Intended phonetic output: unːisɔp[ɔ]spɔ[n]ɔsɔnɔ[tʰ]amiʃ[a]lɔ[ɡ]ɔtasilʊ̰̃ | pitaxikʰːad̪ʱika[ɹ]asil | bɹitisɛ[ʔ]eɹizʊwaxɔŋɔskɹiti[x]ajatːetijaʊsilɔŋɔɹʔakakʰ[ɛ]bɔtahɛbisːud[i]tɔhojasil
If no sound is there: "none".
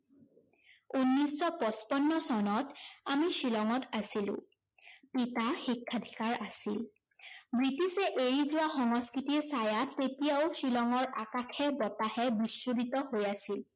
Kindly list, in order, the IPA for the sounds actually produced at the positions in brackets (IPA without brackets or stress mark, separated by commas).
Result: ɔ, nː, t, i, ŋ, ɹ, ʔ, s, ɛ, i